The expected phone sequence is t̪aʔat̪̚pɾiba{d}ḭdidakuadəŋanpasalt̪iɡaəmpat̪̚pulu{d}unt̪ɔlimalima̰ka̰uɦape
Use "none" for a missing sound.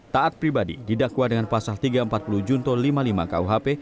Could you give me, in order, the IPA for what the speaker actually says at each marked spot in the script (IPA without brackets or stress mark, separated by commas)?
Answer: d, d͡ʒ